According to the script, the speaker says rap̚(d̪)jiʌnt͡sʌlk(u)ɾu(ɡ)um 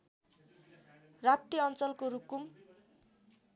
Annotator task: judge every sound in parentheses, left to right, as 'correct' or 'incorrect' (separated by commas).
incorrect, incorrect, incorrect